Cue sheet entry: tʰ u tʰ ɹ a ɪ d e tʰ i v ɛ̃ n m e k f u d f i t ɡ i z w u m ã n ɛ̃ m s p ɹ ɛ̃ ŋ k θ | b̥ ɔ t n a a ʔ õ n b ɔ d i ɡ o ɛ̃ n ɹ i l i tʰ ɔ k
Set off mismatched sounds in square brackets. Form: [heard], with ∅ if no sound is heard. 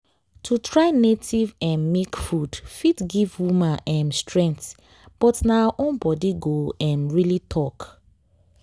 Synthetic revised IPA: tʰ u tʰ ɹ a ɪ [n] e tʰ i v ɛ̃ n m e k f u d f i t ɡ i [v] w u m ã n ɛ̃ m s [t] ɹ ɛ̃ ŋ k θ | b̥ ɔ t n a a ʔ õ n b ɔ d i ɡ o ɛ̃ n ɹ i l i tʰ ɔ k